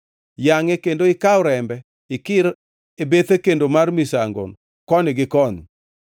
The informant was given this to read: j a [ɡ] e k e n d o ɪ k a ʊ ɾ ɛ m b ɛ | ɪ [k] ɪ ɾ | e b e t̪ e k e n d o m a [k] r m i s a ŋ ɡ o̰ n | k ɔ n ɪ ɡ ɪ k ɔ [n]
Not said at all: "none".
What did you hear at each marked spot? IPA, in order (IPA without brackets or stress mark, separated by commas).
ŋ, k, none, n